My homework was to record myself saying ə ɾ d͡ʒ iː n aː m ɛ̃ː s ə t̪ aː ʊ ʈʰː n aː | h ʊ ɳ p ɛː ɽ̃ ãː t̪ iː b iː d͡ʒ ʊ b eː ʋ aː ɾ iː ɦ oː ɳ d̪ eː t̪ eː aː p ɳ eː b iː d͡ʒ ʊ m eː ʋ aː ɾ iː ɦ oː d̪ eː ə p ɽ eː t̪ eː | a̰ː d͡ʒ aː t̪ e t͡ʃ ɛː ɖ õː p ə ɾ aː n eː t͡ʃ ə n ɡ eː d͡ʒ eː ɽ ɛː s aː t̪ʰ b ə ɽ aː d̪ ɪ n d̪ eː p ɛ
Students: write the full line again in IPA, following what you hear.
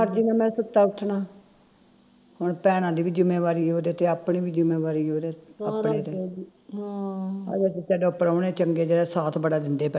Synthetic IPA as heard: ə ɾ d͡ʒ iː n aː m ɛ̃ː s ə t̪ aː ʊ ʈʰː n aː | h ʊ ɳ p ɛː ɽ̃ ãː d̪ iː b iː d͡ʒ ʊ m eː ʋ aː ɾ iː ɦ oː d̪ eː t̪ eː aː p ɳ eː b iː d͡ʒ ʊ m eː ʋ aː ɾ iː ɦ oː d̪ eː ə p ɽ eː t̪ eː | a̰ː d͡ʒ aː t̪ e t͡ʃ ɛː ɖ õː p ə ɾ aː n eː t͡ʃ ə ŋ ɡ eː d͡ʒ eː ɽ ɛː s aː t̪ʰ b ə ɽ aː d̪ ɪ n d̪ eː p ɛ